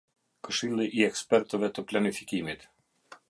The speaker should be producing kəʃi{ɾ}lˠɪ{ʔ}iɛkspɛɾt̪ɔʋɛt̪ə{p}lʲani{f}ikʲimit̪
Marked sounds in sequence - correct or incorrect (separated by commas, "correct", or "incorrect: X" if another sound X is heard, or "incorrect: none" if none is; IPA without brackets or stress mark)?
incorrect: none, correct, correct, correct